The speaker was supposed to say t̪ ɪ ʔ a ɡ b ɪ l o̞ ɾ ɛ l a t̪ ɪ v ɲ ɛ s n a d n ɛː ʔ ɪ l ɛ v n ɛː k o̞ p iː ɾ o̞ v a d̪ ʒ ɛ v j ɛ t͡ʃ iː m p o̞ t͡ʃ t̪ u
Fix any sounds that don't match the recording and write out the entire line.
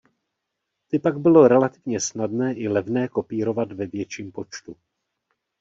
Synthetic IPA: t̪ ɪ p a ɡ b ɪ l o̞ ɾ ɛ l a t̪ ɪ v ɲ ɛ s n a d n ɛː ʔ ɪ l ɛ v n ɛː k o̞ p iː ɾ o̞ v a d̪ v ɛ v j ɛ t͡ʃ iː m p o̞ t͡ʃ t̪ u